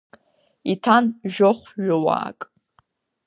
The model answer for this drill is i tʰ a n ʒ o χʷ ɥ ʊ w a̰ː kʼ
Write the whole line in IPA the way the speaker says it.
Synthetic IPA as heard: i tʰ a n ʒ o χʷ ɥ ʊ w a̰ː kʼ